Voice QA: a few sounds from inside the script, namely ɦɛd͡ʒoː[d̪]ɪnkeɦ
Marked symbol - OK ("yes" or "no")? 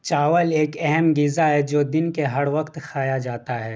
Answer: yes